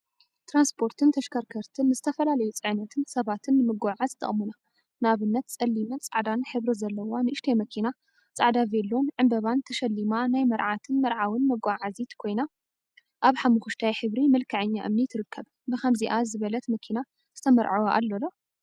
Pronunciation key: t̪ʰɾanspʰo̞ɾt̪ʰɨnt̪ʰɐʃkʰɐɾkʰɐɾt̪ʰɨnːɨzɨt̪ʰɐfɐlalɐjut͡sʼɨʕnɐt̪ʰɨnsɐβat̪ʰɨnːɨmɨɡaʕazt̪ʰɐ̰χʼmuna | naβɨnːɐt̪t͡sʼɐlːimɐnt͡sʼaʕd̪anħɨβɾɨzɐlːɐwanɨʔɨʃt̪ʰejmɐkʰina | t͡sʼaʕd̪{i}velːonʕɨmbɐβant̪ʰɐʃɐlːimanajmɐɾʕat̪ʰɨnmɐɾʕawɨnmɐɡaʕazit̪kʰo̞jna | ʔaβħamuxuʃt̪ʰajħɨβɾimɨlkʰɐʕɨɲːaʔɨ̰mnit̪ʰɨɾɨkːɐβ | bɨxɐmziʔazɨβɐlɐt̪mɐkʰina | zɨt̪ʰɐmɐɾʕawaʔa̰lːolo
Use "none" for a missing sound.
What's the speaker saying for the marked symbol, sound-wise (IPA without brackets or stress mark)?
a